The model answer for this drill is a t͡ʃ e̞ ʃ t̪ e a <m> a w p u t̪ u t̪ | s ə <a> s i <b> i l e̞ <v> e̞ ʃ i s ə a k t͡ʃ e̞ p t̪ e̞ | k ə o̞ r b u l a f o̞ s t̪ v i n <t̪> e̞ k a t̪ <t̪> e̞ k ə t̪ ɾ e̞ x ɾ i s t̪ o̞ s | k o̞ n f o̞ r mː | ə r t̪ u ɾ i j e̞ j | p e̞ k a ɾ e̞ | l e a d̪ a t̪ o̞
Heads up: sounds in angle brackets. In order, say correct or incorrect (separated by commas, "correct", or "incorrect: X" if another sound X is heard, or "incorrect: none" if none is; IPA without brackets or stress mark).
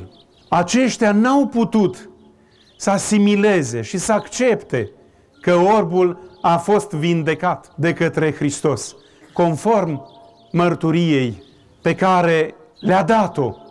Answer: incorrect: n, correct, incorrect: m, incorrect: z, incorrect: d̪, incorrect: d̪